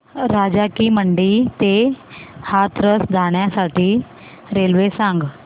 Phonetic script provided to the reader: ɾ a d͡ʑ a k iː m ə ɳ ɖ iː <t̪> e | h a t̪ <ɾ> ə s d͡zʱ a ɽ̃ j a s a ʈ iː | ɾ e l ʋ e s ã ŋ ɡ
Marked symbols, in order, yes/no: yes, yes

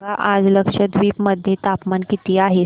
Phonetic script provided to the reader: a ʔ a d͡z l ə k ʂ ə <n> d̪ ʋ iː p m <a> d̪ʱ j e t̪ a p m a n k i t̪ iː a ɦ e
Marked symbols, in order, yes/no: no, no

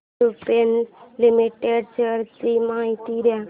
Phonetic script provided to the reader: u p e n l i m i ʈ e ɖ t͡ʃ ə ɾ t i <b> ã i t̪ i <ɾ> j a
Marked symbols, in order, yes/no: no, yes

